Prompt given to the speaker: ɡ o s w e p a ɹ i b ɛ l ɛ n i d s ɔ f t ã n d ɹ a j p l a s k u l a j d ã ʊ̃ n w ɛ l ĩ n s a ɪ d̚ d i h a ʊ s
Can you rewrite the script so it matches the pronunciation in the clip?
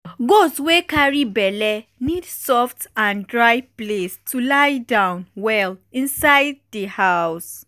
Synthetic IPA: ɡ o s w e k a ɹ i b ɛ l ɛ n i d s ɔ f t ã n d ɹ a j p l e s t u l a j d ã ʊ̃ n w ɛ l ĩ n s a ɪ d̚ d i h a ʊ s